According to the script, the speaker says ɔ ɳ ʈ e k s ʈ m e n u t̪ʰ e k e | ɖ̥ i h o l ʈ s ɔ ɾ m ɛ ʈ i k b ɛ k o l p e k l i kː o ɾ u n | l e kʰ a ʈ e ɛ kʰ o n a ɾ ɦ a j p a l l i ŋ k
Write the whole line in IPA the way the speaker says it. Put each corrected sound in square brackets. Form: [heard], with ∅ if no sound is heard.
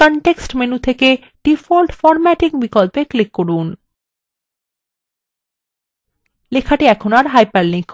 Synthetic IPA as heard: ɔ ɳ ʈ e k s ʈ m e n u t̪ʰ e k e | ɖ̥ i [f] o l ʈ [f] ɔ ɾ m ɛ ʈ i k b [i] k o l p e k l i kː o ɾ u n | l e kʰ a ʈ [i] ɛ kʰ o n a ɾ ɦ a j p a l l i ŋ k